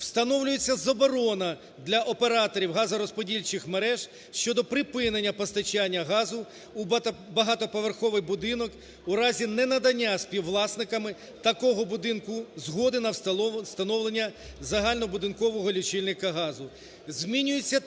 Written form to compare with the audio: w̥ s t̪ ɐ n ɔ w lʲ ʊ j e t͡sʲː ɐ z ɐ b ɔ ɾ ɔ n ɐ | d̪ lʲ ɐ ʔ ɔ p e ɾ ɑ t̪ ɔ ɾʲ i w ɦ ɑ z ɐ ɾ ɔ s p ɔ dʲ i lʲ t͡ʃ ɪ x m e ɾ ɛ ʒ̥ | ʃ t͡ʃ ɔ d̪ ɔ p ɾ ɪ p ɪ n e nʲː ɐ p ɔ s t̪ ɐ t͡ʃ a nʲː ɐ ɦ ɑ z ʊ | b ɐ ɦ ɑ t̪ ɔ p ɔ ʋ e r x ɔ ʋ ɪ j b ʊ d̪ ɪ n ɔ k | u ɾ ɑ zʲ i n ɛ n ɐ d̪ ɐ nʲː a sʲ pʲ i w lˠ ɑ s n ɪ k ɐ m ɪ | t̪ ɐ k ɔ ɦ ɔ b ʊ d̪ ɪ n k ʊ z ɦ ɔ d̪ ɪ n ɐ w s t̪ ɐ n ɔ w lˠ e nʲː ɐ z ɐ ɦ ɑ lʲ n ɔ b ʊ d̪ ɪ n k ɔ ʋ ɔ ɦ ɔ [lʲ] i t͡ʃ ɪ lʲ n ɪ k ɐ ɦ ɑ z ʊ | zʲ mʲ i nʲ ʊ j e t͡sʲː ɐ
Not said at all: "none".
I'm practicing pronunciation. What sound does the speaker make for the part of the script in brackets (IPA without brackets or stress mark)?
lʲ